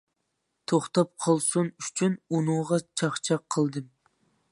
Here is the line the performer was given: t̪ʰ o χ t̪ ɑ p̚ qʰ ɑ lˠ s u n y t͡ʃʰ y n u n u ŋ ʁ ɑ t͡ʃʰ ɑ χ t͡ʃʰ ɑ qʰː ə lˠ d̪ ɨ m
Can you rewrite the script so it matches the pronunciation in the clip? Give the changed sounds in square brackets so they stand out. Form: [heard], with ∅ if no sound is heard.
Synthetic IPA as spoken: t̪ʰ o χ t̪ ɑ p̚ qʰ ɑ lˠ s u n y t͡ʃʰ y n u n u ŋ ʁ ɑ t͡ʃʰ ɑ χ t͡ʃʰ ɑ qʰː ə lˠ d̪ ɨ m

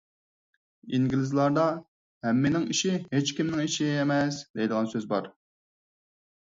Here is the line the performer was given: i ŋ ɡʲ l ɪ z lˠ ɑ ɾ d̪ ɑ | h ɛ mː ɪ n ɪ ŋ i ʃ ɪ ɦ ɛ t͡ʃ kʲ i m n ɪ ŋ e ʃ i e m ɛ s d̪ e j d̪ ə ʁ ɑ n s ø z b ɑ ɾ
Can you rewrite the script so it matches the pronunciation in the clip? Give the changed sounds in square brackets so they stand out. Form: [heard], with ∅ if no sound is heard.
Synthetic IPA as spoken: i ŋ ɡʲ l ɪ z lˠ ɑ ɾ d̪ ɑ | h ɛ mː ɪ n ɪ ŋ i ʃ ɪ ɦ [e] t͡ʃ kʲ i m n ɪ ŋ [i] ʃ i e m ɛ s d̪ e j d̪ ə ʁ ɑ n s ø z b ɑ ɾ

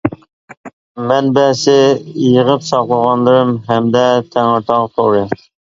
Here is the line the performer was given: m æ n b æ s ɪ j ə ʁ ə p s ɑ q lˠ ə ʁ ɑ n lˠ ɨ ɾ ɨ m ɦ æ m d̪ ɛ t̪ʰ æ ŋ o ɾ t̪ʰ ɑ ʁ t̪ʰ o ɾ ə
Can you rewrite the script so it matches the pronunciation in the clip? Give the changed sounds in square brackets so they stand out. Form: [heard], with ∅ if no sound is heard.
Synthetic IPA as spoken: m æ n b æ s ɪ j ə ʁ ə p s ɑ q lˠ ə ʁ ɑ n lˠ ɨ ɾ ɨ m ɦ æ m d̪ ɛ t̪ʰ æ ŋ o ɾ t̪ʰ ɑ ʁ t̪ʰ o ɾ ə

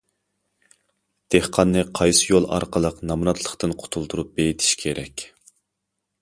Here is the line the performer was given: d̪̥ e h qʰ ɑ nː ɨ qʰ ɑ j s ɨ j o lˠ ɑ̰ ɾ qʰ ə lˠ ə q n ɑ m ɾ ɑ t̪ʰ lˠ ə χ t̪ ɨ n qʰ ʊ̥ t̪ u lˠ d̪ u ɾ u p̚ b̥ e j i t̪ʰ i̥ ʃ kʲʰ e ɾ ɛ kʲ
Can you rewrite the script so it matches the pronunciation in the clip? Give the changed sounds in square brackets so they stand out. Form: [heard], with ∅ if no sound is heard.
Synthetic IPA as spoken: d̪̥ e h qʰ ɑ nː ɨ qʰ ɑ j s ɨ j o lˠ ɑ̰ ɾ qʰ ə lˠ ə q n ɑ m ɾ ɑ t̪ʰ lˠ ə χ t̪ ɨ n qʰ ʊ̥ [t̪ʰ] u lˠ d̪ u ɾ u p̚ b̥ e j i t̪ʰ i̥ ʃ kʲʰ e ɾ ɛ kʲ

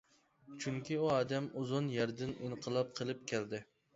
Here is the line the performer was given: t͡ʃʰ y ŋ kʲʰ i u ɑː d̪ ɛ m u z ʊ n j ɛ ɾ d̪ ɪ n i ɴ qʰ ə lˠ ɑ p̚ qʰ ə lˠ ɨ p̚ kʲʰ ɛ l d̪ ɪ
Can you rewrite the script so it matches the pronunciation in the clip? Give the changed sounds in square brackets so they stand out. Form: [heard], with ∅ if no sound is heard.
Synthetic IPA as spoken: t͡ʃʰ y ŋ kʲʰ i u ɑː d̪ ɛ m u z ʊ n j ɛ ɾ d̪ ɪ n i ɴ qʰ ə lˠ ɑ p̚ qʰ ə lˠ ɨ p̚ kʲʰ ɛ l d̪ ɪ

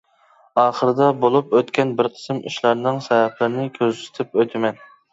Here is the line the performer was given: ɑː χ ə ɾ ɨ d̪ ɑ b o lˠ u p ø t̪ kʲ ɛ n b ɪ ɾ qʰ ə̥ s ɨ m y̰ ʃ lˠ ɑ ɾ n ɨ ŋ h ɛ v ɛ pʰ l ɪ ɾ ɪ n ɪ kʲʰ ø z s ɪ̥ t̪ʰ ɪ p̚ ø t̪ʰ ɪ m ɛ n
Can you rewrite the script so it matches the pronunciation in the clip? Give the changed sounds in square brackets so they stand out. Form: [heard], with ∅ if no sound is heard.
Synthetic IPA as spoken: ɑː χ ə ɾ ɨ d̪ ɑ b o lˠ u p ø t̪ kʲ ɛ n b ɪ ɾ qʰ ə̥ s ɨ m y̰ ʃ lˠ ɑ ɾ n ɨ ŋ [s] ɛ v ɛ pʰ l ɪ ɾ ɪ n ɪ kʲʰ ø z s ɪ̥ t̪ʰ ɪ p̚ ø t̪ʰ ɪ m ɛ n

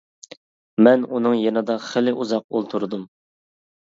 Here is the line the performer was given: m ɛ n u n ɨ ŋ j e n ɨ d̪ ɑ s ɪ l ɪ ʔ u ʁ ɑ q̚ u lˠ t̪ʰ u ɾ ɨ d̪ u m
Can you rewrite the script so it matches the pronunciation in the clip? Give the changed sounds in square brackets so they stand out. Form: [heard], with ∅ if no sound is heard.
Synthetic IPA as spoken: m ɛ n u n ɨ ŋ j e n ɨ d̪ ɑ [χ] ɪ l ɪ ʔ u [z] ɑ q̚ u lˠ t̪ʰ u ɾ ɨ d̪ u m

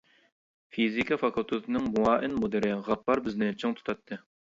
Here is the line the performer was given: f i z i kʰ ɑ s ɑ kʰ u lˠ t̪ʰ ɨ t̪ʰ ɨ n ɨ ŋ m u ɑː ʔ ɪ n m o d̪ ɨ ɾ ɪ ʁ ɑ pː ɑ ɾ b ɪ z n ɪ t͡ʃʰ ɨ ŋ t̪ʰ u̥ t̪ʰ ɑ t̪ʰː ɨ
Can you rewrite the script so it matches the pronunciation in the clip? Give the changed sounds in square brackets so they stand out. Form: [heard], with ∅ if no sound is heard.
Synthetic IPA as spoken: f i z i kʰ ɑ [f] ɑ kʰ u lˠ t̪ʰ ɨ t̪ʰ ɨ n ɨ ŋ m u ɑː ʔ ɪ n m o d̪ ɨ ɾ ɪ ʁ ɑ pː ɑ ɾ b ɪ z n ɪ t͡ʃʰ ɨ ŋ t̪ʰ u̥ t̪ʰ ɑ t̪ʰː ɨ

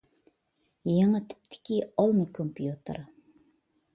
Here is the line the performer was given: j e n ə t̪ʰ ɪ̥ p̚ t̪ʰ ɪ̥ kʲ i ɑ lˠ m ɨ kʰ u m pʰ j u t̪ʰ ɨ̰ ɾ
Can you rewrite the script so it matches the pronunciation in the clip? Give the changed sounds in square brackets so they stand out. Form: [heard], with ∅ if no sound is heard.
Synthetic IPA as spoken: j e [ŋ] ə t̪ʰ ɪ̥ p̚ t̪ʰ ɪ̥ kʲ i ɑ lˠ m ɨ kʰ [o] m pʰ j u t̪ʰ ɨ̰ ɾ

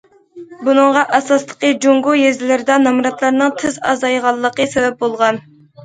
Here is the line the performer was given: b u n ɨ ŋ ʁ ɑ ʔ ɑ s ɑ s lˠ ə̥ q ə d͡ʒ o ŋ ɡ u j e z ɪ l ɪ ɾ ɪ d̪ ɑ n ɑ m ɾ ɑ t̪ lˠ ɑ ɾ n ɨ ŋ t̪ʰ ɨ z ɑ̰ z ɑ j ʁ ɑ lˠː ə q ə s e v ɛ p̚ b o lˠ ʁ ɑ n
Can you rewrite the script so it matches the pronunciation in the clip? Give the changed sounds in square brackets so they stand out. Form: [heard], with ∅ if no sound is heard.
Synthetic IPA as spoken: b u n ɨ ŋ ʁ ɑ ʔ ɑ s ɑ s lˠ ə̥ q ə d͡ʒ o ŋ ɡ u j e z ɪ l ɪ ɾ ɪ d̪ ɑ n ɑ m ɾ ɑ t̪ lˠ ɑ ɾ n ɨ ŋ t̪ʰ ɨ z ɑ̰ z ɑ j ʁ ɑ lˠː ə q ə s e v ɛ p̚ b o lˠ ʁ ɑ n

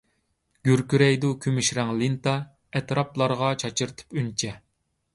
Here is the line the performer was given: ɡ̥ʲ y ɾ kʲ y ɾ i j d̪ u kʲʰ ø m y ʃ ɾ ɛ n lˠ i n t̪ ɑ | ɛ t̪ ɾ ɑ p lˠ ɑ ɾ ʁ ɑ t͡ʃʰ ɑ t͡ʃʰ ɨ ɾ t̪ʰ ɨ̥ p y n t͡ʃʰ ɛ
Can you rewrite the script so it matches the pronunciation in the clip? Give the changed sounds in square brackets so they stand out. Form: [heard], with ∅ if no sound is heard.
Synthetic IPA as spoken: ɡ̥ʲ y ɾ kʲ y ɾ [ɛ] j d̪ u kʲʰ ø m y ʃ ɾ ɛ [ŋ] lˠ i n t̪ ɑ | ɛ t̪ ɾ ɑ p lˠ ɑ ɾ ʁ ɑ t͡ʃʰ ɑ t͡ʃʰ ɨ ɾ t̪ʰ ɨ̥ p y n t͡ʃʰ ɛ

